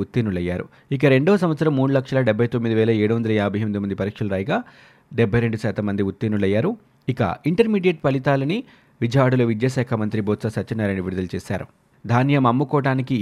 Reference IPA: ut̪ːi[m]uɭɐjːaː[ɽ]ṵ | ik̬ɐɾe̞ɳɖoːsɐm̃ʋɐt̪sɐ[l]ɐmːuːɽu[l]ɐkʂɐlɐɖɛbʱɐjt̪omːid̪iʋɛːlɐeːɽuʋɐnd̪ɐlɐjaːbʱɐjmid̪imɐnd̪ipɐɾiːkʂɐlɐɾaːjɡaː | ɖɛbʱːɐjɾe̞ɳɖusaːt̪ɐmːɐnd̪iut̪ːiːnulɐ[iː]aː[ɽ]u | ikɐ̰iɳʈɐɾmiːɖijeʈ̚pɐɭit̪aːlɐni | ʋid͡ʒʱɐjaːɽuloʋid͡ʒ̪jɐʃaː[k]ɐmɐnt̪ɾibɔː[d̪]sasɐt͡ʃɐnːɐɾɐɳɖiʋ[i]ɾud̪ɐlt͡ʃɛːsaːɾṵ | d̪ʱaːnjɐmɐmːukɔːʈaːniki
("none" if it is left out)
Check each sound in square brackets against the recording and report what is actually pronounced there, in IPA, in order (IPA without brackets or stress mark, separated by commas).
n, ɾ, ɾ, l, jː, ɾ, kʰ, t̪, i